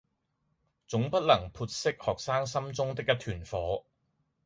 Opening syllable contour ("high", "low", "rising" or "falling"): rising